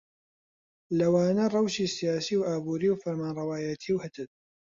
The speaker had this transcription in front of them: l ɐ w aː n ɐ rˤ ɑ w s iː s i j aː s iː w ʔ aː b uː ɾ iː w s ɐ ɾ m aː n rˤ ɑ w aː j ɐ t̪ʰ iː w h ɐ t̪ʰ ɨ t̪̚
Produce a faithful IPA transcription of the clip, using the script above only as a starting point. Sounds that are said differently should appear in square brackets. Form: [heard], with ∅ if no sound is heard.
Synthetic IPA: l ɐ w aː n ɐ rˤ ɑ w [ʃ] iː s i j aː s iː w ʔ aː b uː ɾ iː w [f] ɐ ɾ m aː n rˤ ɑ w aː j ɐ t̪ʰ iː w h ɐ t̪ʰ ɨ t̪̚